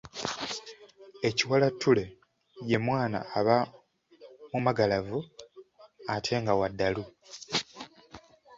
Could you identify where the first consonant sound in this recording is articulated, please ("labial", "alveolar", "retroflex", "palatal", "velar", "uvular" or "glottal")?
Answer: palatal